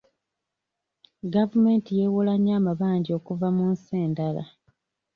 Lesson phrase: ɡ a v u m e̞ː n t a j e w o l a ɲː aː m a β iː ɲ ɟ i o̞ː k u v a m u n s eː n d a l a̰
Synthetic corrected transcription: ɡ a v u m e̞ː n t i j e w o l a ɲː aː m a β aː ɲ ɟ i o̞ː k u v a m u n s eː n d a l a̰

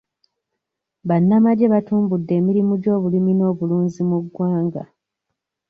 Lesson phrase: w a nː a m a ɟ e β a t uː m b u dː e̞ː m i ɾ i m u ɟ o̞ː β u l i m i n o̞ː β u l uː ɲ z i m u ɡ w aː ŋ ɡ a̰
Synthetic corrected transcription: β a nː a m a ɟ e β a t uː m b u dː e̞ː m i ɾ i m u ɟ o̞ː β u l i m i n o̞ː β u l uː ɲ z i m u ɡ w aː ŋ ɡ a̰

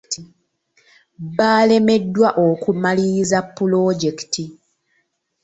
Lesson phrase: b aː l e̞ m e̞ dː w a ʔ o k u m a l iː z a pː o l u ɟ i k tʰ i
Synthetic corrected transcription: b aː l e̞ m e̞ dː w a ʔ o k u m a l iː z a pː u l o ɟ e k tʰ i

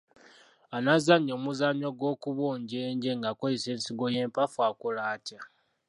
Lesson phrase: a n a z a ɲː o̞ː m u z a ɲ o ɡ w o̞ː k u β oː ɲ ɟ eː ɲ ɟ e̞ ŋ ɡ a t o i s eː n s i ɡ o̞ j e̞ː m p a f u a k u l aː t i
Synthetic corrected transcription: a n a z a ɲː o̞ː m u z a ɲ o ɡ w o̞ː k u β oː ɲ ɟ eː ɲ ɟ e̞ ŋ ɡ a k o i s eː n s i ɡ o̞ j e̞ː m p a f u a k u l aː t a

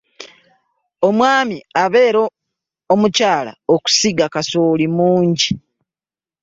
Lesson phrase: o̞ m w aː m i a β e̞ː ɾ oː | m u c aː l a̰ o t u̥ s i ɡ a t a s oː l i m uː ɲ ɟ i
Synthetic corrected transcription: o̞ m w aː m i a β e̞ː ɾ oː | m u c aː l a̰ o k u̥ s i ɡ a k a s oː l i m uː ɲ ɟ i

